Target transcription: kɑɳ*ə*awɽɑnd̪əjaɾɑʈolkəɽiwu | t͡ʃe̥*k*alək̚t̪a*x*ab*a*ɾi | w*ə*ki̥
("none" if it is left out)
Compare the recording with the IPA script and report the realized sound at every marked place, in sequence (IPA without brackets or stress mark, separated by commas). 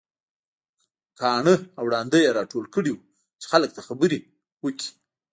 ə, x, x, ə, ə